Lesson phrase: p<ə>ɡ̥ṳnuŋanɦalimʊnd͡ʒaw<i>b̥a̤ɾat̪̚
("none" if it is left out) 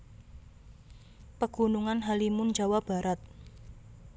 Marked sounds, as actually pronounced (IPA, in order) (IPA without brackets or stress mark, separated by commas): ə, a